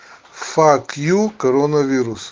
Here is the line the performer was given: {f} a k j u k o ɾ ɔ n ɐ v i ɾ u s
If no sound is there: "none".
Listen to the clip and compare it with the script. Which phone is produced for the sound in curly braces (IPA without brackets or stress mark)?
f